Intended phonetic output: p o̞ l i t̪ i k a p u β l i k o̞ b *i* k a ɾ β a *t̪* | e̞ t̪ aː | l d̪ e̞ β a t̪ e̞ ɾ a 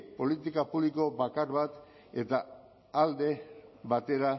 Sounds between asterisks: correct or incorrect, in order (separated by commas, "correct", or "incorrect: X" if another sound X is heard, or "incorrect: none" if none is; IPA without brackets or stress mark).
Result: incorrect: a, correct